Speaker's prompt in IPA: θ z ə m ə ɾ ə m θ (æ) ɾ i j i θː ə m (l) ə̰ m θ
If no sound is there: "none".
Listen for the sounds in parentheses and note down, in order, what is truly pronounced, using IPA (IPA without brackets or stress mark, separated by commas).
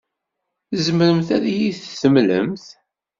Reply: æ, l